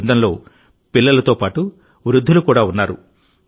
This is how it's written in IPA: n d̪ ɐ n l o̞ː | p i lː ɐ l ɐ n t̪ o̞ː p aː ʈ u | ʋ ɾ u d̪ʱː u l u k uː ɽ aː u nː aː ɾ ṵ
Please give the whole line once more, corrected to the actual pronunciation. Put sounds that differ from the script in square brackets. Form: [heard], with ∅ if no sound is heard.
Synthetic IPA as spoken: n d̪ ɐ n l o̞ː | p i lː ɐ l ɐ [∅] t̪ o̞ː p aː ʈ u | ʋ ɾ u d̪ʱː u l u k uː ɽ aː u nː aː ɾ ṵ